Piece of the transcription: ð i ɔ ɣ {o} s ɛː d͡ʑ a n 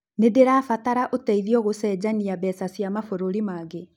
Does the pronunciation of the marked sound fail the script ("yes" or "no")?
no